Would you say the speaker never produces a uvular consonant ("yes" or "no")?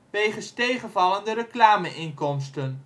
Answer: no